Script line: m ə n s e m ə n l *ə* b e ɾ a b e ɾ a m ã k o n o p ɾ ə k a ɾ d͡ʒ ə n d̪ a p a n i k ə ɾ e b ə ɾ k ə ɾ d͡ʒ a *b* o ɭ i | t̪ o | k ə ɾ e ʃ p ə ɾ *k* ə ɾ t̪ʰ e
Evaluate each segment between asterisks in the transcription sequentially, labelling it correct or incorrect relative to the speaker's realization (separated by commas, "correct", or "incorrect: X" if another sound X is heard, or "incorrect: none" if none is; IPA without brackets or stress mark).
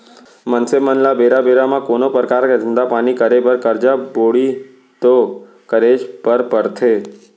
incorrect: a, correct, incorrect: p